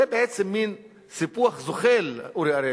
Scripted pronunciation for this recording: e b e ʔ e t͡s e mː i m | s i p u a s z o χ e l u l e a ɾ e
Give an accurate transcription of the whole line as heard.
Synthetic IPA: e b e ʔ e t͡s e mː i n | s i p u a χ z o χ e l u ɾ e a ɾ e